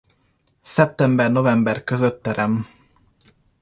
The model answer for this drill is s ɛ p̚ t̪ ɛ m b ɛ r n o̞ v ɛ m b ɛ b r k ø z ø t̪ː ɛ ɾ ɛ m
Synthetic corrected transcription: s ɛ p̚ t̪ ɛ m b ɛ r n o̞ v ɛ m b ɛ r k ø z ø t̪ː ɛ ɾ ɛ m